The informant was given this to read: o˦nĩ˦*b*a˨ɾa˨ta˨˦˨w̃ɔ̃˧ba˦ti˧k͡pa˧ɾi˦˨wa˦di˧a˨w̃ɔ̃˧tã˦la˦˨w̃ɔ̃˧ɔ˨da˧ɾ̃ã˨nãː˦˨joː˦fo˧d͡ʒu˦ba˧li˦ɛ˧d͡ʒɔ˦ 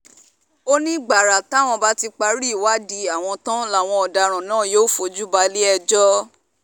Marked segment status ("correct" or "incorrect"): incorrect